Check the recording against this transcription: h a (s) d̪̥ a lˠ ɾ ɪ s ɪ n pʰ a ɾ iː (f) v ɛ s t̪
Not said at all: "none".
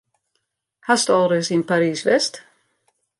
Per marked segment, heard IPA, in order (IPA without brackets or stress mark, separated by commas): s, s